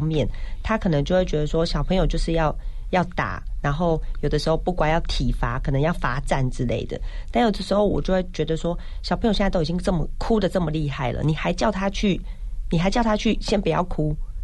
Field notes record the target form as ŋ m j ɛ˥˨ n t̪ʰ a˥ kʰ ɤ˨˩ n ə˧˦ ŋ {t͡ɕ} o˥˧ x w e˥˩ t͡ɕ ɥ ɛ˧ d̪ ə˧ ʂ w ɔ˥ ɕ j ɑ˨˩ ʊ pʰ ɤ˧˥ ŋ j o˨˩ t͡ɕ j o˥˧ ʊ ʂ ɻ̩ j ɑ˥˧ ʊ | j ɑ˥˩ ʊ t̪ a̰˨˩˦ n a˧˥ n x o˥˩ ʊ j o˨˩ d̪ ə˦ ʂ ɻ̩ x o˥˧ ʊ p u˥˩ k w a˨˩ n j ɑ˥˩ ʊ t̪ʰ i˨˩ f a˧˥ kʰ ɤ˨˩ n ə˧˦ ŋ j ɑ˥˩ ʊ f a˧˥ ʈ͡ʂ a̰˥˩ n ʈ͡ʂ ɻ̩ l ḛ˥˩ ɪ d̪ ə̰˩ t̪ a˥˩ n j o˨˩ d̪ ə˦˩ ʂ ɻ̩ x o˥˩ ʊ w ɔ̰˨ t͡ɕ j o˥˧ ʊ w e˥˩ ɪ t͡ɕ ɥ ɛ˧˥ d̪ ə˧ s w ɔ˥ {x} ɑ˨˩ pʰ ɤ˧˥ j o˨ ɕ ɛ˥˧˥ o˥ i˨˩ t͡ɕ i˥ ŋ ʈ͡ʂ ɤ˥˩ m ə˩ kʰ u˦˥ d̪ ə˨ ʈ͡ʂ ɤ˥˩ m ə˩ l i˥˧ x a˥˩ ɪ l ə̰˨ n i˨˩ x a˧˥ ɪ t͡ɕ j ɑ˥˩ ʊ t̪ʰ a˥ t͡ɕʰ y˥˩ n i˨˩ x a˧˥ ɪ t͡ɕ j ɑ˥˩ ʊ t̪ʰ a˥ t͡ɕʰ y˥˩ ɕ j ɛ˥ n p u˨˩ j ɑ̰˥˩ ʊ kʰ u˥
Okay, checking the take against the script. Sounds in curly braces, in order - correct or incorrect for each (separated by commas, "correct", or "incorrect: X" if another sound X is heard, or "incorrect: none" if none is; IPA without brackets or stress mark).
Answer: correct, incorrect: ɕ